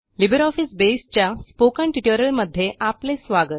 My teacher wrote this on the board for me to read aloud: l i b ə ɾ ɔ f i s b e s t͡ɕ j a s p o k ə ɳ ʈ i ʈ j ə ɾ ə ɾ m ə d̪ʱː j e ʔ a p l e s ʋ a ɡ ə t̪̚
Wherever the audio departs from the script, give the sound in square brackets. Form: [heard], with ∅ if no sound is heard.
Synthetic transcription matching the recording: l i b ə ɾ ɔ f i s b e s t͡ɕ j a s p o k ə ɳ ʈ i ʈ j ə ɾ ə [l] m ə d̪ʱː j e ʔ a p l e s ʋ a ɡ ə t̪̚